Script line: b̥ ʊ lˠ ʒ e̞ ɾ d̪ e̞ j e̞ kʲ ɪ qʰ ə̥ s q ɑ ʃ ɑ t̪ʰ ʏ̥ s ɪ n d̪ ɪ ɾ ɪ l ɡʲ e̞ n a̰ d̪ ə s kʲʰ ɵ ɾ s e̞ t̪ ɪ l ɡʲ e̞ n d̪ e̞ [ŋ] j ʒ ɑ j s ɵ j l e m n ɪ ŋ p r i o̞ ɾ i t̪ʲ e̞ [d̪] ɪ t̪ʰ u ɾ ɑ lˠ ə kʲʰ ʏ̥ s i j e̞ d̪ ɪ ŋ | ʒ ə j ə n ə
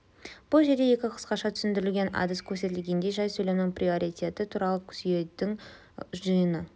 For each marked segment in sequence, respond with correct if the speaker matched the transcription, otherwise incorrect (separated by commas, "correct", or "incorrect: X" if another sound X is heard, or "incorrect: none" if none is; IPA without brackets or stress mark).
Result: incorrect: none, incorrect: t̪